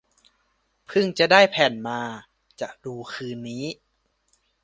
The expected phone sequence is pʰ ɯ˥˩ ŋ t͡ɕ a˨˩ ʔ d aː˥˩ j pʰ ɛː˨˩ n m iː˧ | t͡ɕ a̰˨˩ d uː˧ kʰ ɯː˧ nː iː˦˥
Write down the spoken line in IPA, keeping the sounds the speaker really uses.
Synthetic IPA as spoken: pʰ ɯ˥˩ ŋ t͡ɕ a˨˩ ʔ d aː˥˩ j pʰ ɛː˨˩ n m aː˧ | t͡ɕ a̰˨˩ d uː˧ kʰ ɯː˧ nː iː˦˥